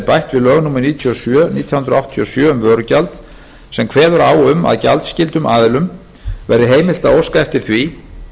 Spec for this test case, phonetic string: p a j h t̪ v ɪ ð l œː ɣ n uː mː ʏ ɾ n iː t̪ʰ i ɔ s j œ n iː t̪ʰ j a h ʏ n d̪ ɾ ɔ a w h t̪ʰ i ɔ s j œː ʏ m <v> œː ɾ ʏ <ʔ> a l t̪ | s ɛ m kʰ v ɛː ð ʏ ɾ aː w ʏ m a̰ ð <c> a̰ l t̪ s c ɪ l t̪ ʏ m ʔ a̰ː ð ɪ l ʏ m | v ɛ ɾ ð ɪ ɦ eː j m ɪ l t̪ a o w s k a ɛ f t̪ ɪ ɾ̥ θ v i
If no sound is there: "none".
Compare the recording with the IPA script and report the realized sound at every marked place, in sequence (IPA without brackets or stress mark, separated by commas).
v, c, c